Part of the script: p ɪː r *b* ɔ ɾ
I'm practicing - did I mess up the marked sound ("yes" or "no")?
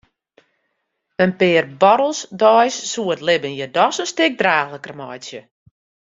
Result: no